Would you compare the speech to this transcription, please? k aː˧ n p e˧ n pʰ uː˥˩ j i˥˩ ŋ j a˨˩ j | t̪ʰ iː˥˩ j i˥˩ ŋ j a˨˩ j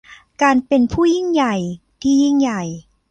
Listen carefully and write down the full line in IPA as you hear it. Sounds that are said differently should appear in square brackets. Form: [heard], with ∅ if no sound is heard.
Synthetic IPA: k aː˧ n p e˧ n pʰ uː˥˩ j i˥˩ ŋ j a˨˩ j | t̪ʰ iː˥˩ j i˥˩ ŋ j a˨˩ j